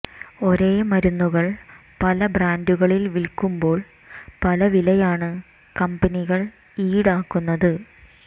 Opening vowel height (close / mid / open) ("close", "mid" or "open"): mid